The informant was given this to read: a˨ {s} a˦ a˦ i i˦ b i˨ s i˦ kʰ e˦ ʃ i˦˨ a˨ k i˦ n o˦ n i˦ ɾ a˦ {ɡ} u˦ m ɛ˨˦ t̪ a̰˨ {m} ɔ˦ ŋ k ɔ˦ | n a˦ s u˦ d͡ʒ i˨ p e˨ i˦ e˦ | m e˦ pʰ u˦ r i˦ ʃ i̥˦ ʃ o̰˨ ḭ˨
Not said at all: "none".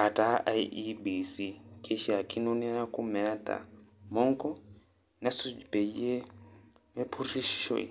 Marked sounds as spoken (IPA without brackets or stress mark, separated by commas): t, k, m